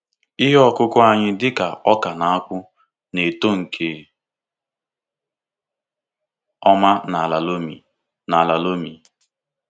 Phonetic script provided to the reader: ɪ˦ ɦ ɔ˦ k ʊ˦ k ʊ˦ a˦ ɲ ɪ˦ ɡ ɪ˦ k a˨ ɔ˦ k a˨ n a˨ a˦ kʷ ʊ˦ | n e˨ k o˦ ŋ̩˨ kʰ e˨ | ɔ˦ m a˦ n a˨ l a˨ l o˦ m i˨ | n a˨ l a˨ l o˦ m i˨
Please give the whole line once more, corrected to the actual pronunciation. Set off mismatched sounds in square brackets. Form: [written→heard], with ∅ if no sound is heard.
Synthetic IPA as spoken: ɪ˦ ɦ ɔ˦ k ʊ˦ k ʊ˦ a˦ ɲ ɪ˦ [ɡ→d] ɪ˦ k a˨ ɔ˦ k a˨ n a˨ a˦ kʷ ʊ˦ | n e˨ [k→t] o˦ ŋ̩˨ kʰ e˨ | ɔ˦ m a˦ n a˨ l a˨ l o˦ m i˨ | n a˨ l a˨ l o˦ m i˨